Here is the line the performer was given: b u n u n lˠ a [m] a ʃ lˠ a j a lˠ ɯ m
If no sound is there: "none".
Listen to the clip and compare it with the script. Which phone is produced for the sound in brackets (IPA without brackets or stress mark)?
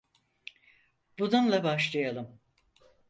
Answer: b